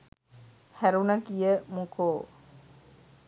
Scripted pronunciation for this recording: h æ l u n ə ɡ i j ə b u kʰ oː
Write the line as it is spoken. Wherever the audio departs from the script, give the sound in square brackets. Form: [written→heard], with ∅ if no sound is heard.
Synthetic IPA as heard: h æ [l→ɾ] u n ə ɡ i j ə [b→m] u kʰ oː